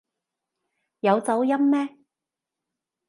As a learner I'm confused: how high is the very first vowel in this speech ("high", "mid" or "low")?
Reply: low